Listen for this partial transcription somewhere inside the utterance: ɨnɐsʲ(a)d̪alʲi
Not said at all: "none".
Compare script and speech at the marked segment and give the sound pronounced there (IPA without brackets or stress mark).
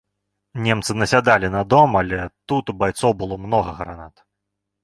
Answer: a